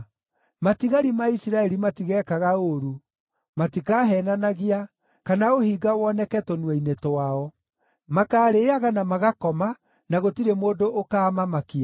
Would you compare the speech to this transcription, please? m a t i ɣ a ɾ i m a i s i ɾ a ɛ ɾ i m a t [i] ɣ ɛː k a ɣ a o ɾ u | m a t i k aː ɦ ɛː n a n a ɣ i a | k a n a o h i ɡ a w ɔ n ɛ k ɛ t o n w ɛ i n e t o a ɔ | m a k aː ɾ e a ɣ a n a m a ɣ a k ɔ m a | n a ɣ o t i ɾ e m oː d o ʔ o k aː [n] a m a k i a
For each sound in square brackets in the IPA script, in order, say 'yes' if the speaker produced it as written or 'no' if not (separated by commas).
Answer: yes, no